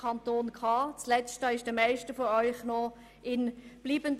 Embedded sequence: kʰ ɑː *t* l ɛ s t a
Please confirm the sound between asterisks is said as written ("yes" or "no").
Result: no